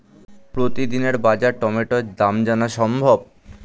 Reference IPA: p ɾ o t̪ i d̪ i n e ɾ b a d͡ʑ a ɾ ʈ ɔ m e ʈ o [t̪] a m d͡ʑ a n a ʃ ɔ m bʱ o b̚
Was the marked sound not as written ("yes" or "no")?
yes